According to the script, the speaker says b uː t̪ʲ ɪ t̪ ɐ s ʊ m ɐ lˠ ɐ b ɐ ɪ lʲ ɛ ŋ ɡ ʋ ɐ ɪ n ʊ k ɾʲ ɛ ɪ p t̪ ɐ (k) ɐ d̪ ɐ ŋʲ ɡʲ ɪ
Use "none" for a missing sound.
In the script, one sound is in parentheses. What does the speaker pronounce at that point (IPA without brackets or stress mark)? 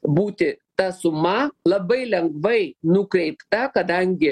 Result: k